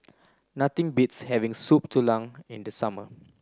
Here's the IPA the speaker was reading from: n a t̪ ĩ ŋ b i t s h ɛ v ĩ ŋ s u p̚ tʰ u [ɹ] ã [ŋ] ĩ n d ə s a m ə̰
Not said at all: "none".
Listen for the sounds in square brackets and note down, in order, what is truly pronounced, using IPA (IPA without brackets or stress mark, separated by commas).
l, ŋ